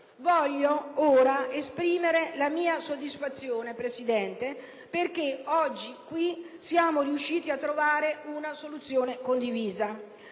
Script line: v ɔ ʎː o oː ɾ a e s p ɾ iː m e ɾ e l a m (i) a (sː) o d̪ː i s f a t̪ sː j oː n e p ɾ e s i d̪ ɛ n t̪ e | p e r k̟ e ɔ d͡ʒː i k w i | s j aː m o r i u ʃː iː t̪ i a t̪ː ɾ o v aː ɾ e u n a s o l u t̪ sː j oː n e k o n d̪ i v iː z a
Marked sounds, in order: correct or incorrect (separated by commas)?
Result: incorrect, incorrect